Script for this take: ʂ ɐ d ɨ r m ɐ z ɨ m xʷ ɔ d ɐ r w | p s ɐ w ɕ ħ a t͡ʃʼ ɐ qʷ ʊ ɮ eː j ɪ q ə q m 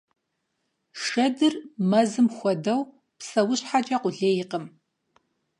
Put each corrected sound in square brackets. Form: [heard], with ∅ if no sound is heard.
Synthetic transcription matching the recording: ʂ ɐ d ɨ r m ɐ z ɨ m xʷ ɔ d ɐ [∅] w | p s ɐ w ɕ ħ a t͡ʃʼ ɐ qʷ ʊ ɮ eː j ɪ q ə [∅] m